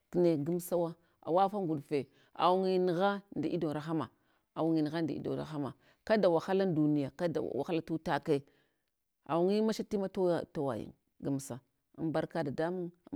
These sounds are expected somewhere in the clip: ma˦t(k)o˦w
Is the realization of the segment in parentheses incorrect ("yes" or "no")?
yes